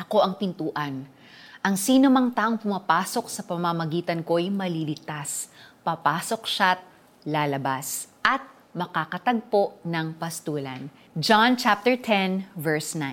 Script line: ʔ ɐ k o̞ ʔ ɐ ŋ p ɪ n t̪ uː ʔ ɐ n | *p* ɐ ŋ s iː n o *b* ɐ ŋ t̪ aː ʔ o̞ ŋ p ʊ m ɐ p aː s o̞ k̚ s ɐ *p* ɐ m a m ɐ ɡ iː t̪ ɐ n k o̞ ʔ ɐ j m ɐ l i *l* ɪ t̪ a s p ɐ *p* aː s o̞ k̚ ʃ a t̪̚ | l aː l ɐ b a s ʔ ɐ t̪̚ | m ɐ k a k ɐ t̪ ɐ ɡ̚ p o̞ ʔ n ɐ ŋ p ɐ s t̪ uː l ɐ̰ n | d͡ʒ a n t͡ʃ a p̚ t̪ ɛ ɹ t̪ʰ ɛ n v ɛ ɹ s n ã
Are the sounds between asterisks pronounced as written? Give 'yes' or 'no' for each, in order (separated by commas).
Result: no, no, yes, yes, yes